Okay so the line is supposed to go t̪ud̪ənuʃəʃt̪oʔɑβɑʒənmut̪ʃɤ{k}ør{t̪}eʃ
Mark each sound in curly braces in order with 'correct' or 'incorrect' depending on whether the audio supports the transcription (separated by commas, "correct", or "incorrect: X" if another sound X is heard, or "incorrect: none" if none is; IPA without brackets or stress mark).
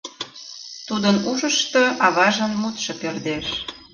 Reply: incorrect: p, incorrect: d̪